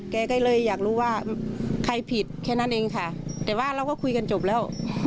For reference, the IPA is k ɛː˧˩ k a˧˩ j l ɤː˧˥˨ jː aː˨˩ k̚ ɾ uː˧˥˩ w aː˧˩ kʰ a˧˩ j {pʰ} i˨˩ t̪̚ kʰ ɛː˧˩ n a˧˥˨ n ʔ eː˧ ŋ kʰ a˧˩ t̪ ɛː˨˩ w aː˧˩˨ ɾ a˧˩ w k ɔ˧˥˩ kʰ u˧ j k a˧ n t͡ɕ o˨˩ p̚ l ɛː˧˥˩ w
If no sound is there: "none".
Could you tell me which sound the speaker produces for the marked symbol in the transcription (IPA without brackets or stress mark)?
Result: pʰ